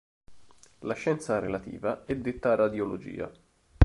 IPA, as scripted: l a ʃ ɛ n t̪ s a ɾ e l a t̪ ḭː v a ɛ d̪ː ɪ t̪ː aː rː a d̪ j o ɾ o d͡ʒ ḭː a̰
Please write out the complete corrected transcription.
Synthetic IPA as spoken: l a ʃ ɛ n t̪ s a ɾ e l a t̪ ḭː v a ɛ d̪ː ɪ t̪ː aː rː a d̪ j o l o d͡ʒ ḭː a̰